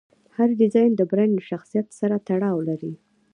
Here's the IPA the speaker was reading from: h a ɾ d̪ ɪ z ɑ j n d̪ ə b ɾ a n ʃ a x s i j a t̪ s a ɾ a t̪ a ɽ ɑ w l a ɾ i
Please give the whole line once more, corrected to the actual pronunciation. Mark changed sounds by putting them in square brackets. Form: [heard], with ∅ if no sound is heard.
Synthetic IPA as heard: h a ɾ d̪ ɪ z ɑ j n d̪ ə b ɾ a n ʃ a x s i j a t̪ s a ɾ a t̪ a ɽ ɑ w l a ɾ i